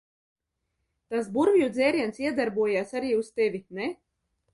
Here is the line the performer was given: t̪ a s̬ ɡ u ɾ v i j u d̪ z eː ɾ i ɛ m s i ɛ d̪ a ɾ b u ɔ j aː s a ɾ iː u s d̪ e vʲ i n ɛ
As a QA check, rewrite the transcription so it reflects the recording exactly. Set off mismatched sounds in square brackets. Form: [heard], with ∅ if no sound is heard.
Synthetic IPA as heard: t̪ a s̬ [b] u ɾ v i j u d̪ z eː ɾ i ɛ [n] s i ɛ d̪ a ɾ b u ɔ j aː s a ɾ iː u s [t̪] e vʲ i n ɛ

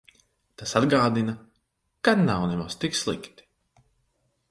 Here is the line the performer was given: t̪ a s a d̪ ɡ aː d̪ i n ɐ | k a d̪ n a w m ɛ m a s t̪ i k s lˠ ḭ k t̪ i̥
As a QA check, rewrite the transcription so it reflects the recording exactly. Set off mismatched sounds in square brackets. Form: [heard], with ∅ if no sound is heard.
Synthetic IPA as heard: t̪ a s a d̪ ɡ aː d̪ i n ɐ | k a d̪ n a w [n] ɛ m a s t̪ i k s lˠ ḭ k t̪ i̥

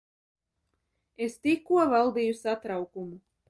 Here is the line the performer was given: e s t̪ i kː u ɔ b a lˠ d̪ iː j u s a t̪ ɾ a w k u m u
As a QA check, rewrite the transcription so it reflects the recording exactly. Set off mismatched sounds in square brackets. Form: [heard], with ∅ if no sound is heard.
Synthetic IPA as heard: e s t̪ i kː u ɔ [v] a lˠ d̪ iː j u s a t̪ ɾ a w k u m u

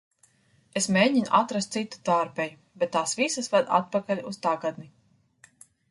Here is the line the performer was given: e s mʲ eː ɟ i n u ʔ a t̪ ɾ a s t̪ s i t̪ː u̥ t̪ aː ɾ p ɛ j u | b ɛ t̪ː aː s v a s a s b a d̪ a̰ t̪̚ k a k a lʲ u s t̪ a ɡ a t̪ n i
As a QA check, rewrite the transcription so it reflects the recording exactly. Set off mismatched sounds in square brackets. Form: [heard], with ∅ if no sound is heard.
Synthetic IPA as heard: e s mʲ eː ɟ i n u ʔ a t̪ ɾ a s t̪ s i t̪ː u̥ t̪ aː ɾ p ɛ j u | b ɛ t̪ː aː s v [i] s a s [v] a d̪ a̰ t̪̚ [p] a k a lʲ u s t̪ a ɡ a [d̪] n i

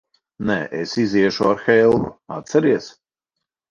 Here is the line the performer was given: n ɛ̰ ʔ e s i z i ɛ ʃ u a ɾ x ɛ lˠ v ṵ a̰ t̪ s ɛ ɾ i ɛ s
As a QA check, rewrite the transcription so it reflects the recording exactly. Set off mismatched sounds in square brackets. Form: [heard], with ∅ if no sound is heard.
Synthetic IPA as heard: n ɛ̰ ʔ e s i z i ɛ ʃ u a ɾ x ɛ lˠ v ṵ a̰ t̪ s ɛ ɾ i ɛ s

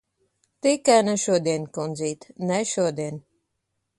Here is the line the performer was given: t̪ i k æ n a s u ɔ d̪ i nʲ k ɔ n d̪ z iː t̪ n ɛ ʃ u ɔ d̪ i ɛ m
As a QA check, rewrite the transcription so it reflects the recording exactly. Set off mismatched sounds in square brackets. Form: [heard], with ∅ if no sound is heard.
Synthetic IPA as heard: t̪ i k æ n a [ʃ] u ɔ d̪ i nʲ k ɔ n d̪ z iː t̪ n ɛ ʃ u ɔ d̪ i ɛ [n]

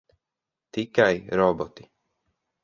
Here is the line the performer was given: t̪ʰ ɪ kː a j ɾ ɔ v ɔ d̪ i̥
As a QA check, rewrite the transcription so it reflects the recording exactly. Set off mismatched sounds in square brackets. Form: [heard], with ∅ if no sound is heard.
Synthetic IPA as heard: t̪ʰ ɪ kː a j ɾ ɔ [b] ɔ [t̪] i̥

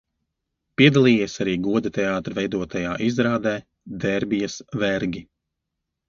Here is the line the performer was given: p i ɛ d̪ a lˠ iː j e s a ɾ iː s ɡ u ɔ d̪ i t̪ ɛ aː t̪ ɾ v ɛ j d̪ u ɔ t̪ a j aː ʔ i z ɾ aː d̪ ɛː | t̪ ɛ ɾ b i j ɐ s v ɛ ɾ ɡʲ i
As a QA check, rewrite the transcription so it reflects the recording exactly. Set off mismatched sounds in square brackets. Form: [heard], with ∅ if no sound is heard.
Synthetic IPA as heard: p i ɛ d̪ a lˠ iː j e s a ɾ iː [∅] ɡ u ɔ d̪ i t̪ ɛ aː t̪ ɾ v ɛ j d̪ u ɔ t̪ a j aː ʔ i z ɾ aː d̪ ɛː | [d̪] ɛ ɾ b i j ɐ s v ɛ ɾ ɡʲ i

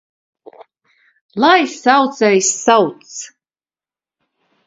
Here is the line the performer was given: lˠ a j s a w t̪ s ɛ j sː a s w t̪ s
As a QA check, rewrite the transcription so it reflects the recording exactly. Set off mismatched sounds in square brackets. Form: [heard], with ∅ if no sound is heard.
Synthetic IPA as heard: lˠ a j s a w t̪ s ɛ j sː a [∅] w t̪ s

